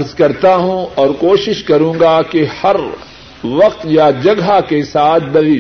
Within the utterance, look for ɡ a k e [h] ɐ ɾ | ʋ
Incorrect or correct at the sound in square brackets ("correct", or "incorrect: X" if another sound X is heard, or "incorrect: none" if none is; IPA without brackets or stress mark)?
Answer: correct